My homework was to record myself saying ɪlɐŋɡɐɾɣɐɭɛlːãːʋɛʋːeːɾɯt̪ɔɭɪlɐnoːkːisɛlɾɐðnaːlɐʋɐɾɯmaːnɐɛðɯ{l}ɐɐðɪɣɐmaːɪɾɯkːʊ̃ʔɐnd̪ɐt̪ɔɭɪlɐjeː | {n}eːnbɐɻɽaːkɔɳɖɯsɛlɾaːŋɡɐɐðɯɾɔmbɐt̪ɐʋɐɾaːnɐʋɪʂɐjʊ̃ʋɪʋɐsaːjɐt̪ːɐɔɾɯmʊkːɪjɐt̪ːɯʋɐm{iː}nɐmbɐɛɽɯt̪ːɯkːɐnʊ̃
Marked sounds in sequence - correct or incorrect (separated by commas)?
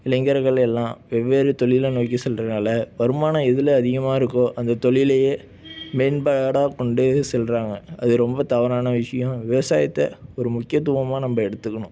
correct, incorrect, incorrect